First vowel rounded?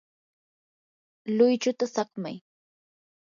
yes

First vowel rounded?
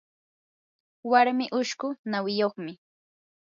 no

